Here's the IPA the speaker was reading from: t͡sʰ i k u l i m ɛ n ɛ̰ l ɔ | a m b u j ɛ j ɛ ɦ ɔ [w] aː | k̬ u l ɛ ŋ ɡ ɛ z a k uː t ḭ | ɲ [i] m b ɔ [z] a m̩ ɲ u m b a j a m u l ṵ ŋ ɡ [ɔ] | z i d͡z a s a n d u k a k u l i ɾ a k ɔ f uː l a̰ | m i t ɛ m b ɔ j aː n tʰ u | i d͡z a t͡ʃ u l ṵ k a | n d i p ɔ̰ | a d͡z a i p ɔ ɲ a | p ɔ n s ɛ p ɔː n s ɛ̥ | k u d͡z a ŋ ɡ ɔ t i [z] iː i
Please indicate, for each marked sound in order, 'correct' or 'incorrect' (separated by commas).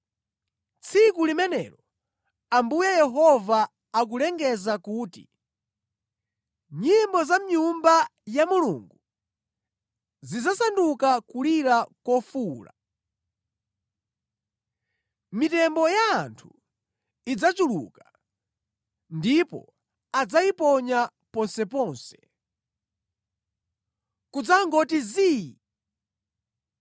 incorrect, correct, correct, incorrect, correct